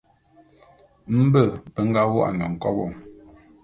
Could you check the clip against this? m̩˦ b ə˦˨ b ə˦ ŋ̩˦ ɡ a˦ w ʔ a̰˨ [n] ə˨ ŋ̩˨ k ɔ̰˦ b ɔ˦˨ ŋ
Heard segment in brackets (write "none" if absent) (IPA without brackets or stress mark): n